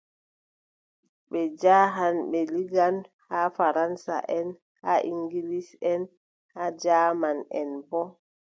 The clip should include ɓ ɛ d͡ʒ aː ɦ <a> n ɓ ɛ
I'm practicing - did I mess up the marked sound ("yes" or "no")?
no